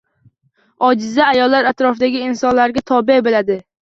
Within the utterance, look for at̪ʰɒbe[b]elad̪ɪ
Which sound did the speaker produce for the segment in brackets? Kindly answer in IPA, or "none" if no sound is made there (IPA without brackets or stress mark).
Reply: b